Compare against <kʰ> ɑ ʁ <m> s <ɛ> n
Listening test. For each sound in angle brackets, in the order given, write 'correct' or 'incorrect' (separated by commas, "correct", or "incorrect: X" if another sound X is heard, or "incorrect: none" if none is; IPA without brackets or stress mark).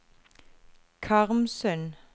correct, correct, incorrect: œ